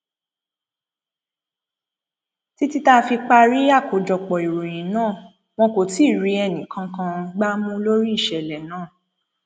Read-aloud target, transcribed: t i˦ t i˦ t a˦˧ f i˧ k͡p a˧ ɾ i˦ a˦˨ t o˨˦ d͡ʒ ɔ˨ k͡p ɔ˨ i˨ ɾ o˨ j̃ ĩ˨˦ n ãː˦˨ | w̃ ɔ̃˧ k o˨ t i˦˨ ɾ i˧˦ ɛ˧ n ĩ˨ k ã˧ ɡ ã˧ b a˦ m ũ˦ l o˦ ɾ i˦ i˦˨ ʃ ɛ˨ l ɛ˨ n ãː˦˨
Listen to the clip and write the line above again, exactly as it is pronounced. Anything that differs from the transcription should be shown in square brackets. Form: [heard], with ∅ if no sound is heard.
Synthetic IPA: t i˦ t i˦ t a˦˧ f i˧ k͡p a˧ ɾ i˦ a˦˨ [k] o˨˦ d͡ʒ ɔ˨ k͡p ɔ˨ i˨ ɾ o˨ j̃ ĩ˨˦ n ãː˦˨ | w̃ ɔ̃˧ k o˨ t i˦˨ ɾ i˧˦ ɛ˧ n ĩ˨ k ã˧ [k] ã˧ [ɡ͡b] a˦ m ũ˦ l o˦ ɾ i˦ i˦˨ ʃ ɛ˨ l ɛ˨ n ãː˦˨